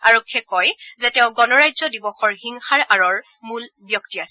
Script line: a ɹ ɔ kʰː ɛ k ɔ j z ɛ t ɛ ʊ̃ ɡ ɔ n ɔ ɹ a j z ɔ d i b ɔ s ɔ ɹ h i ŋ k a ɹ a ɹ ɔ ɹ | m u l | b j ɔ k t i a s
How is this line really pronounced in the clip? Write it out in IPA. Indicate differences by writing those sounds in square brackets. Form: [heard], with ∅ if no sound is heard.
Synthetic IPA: a ɹ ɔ kʰː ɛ k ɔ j z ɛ t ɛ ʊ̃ ɡ ɔ n ɔ ɹ a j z ɔ d i b ɔ [x] ɔ ɹ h i ŋ [x] a ɹ a ɹ ɔ ɹ | m u l | b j ɔ k t i a s